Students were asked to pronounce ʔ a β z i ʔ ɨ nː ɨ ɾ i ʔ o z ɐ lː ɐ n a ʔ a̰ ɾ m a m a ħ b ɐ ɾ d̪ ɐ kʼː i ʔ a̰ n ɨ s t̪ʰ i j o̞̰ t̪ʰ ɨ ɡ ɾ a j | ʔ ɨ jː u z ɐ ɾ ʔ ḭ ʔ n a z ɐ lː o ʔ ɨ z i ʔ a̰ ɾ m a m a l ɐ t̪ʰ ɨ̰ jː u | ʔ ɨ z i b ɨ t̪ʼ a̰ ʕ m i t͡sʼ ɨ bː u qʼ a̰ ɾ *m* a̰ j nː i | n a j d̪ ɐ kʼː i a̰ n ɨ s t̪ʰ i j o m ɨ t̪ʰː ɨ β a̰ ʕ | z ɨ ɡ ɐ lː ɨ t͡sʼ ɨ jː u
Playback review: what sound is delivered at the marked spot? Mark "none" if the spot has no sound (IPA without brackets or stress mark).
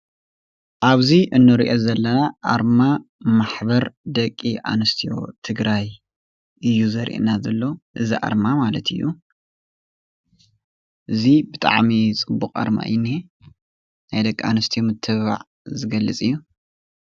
m